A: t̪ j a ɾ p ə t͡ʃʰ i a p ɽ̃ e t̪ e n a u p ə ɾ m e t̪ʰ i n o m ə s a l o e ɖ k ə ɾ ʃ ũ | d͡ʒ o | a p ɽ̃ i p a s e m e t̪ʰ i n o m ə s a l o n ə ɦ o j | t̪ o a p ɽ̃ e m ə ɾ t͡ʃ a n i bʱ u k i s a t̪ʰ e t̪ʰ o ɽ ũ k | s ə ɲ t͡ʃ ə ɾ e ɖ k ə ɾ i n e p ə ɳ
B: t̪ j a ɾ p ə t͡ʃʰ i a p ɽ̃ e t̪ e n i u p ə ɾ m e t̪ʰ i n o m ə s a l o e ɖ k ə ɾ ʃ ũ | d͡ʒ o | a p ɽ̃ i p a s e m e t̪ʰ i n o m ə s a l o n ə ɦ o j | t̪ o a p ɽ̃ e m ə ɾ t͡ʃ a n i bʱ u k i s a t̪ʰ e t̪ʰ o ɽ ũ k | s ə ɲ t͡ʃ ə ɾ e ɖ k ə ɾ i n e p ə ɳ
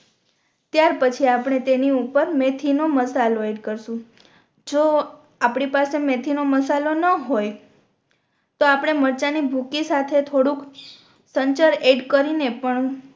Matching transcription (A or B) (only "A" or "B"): B